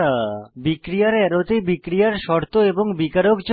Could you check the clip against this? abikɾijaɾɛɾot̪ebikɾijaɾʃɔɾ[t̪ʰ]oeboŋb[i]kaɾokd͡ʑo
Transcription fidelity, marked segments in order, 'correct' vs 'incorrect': incorrect: t̪, correct

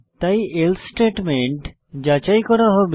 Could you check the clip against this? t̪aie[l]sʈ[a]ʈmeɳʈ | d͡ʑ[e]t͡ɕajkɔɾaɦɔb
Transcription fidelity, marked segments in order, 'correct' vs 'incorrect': correct, incorrect: e, incorrect: a

